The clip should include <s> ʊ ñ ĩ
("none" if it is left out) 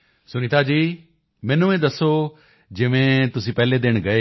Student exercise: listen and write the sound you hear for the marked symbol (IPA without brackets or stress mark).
s